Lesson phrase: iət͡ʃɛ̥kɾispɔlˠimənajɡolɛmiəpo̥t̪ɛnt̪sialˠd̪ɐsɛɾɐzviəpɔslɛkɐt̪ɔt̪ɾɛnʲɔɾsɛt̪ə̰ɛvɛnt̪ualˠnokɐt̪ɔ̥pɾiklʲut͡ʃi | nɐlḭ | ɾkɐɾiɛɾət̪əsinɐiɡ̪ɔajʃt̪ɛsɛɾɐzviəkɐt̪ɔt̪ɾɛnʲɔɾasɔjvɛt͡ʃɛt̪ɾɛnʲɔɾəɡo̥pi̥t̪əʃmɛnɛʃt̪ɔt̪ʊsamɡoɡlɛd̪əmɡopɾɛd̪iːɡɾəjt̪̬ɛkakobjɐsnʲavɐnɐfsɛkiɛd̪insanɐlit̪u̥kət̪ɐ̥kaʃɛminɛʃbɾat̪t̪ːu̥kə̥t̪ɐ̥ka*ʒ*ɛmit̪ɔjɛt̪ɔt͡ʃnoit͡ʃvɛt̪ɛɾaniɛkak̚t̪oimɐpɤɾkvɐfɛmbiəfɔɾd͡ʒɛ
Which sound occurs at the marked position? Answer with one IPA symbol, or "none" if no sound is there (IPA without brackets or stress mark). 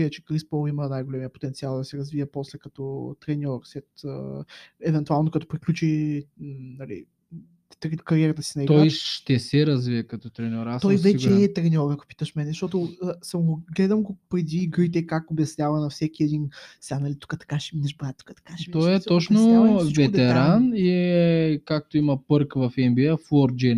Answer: ʃ